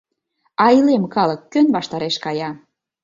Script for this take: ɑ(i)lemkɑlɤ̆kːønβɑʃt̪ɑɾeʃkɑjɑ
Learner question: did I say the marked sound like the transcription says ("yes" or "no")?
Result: yes